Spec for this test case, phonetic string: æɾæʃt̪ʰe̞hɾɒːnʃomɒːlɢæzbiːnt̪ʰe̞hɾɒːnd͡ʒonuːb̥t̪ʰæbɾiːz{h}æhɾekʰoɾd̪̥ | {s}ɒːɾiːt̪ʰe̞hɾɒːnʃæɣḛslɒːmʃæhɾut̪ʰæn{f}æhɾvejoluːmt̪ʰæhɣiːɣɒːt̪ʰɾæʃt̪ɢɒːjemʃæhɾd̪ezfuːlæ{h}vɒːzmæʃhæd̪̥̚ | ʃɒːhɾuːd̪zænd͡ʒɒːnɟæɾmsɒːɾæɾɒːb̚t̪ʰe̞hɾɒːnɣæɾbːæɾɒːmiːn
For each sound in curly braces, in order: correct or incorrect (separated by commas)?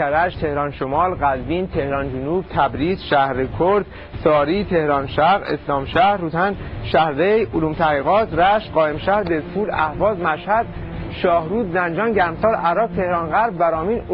incorrect, correct, incorrect, correct